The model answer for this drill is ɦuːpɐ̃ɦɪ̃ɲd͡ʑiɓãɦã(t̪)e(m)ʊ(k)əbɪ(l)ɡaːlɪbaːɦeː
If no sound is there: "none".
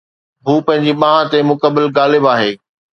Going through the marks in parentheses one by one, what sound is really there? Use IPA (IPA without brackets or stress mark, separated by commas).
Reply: t̪, m, k, l